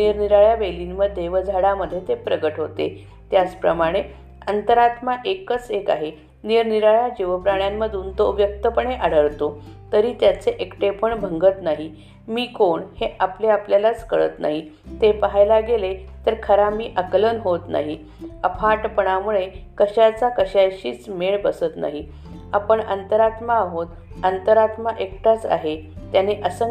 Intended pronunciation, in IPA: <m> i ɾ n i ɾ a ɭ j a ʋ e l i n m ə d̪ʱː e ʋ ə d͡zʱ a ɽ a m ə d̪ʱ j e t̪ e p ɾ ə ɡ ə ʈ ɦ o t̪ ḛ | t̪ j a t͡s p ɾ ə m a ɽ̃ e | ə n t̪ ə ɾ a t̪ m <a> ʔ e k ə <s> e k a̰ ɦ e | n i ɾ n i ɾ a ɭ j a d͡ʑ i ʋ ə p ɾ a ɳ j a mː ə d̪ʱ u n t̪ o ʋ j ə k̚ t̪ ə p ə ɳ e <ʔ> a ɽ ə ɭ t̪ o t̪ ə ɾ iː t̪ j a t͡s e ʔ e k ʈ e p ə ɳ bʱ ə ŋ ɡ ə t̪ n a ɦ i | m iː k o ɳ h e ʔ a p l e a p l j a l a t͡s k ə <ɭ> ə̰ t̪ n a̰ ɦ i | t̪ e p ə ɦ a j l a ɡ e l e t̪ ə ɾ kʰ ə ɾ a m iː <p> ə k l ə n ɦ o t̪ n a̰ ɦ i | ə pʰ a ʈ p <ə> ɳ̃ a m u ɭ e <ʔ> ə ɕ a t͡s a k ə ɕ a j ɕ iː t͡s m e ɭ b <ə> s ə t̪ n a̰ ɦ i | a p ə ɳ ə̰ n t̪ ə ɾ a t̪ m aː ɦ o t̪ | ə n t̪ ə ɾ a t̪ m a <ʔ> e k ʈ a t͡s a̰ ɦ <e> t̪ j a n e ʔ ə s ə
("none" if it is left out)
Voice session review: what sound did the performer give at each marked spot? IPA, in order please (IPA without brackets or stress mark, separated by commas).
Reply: n, a, t͡s, ʔ, ɭ, ʔ, ə, k, ə, ʔ, e